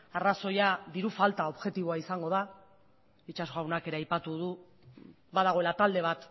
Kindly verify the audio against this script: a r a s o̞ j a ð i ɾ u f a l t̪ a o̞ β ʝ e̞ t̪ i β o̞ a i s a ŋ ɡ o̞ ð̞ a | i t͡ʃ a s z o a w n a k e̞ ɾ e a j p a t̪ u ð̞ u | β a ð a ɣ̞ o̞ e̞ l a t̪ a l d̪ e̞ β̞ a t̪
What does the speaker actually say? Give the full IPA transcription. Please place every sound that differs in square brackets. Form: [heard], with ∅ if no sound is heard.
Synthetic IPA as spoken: a r a s o̞ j a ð i ɾ u f a l t̪ a o̞ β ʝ e̞ t̪ i β o̞ a i s a ŋ ɡ o̞ ð̞ a | i t͡ʃ a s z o a w n a k e̞ ɾ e a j p a t̪ u ð̞ u | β a ð a ɣ̞ o̞ e̞ l a t̪ a l d̪ e̞ β̞ a t̪